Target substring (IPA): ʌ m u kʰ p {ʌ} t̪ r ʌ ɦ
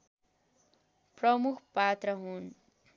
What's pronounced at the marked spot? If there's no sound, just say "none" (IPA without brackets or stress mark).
a